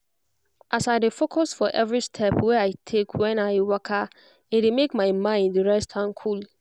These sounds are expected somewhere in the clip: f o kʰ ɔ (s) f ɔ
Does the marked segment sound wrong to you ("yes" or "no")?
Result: no